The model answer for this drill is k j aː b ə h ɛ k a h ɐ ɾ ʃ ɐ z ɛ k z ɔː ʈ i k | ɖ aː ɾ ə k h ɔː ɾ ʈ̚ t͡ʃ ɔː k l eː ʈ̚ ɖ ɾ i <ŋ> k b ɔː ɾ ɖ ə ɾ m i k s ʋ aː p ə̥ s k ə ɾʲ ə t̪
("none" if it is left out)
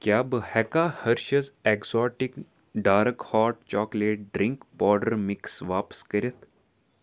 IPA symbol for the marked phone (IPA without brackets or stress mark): ŋ